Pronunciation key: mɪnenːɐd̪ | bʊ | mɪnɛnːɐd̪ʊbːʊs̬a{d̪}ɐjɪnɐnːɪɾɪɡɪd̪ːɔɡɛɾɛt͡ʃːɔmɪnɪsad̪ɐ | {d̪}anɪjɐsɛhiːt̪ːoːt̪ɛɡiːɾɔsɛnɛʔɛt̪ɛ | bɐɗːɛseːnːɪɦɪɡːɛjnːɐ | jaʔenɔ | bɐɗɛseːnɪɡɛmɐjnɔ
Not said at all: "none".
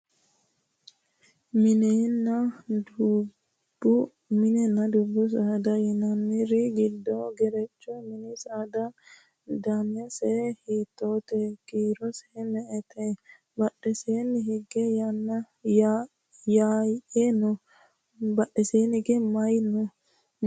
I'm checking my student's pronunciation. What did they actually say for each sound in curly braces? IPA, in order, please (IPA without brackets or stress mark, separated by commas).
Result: d̪, d̪